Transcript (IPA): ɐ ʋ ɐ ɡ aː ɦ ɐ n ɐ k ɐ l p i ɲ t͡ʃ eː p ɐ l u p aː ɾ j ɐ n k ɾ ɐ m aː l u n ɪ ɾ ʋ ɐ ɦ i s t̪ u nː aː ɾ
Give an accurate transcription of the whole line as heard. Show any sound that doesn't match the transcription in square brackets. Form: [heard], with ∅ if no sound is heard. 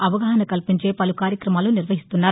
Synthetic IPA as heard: ɐ ʋ ɐ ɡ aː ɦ ɐ n ɐ k ɐ l p i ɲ t͡ʃ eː p ɐ l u [k] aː ɾ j ɐ [∅] k ɾ ɐ m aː l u n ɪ ɾ ʋ ɐ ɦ i s t̪ u nː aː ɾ